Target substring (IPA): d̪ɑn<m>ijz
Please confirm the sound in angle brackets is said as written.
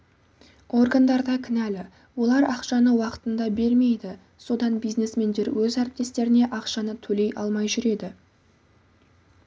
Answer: no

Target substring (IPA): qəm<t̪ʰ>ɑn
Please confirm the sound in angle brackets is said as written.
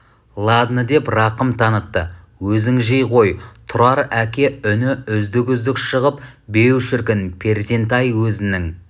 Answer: yes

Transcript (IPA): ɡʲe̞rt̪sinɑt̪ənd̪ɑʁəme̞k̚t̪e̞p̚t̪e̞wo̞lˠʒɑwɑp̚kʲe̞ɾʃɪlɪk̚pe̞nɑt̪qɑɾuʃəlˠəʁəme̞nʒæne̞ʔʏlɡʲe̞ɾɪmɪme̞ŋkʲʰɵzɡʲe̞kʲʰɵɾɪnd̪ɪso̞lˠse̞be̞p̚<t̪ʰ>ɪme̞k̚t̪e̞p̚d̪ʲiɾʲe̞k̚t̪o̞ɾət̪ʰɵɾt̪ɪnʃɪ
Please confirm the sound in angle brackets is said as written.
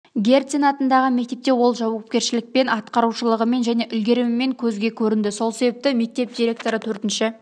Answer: no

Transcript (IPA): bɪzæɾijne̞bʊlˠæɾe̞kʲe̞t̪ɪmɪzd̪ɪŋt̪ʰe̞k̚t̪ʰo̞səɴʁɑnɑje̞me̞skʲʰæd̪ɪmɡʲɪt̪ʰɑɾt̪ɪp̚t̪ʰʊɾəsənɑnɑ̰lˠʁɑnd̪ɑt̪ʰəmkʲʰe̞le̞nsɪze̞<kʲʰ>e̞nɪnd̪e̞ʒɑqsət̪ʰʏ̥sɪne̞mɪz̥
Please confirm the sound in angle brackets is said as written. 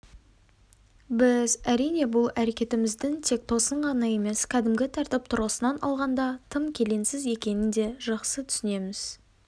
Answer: no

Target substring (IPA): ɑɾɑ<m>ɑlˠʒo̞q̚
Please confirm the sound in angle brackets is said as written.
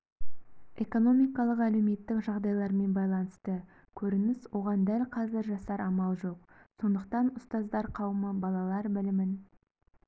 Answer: yes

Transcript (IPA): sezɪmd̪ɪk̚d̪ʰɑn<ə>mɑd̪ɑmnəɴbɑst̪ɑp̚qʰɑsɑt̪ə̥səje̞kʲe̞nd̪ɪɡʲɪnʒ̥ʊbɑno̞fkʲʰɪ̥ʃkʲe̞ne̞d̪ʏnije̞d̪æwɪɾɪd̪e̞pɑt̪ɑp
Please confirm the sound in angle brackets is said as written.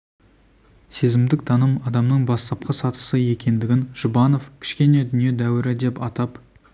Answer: yes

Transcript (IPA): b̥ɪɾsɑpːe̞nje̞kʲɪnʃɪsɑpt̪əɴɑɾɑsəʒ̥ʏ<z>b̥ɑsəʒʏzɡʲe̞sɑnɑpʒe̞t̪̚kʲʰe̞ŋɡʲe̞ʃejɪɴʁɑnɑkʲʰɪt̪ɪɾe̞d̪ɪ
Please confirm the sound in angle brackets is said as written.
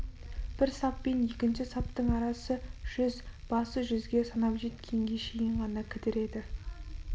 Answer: yes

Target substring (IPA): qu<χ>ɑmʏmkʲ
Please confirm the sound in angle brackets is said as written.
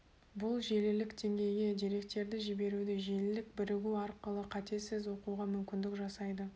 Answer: no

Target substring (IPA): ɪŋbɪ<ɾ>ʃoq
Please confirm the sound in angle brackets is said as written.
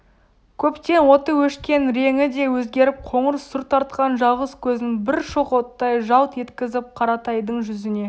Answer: yes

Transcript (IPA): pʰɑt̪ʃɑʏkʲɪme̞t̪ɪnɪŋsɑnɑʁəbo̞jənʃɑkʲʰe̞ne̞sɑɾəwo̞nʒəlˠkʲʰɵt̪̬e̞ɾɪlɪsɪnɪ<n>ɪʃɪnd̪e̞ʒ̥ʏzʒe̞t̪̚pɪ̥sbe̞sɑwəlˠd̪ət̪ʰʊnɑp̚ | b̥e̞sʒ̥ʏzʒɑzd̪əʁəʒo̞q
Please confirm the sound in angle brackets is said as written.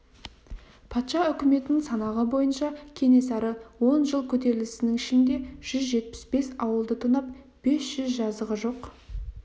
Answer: no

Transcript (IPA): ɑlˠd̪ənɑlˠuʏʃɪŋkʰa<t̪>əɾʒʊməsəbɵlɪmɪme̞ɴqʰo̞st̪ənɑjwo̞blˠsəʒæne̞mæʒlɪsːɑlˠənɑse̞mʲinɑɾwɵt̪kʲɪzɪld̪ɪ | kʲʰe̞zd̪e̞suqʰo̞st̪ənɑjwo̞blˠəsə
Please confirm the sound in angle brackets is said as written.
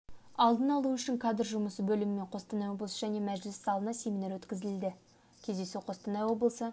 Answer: no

